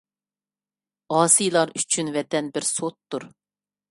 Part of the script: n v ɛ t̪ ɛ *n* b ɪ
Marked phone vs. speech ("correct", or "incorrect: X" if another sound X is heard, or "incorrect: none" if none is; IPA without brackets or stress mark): correct